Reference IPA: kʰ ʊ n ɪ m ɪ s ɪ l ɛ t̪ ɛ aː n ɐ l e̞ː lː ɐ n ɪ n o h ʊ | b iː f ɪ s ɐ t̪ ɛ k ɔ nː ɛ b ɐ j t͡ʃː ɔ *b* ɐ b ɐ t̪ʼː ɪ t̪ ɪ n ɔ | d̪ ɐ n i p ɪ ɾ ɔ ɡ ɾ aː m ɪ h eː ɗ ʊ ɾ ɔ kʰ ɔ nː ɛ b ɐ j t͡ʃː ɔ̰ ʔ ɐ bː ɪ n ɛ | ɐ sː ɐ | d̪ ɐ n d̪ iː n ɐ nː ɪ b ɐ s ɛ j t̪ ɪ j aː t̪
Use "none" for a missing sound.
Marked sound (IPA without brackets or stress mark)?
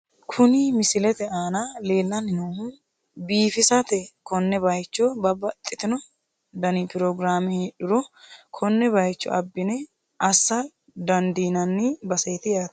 b